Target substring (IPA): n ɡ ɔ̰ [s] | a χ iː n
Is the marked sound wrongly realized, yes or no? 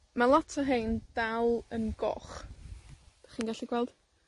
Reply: yes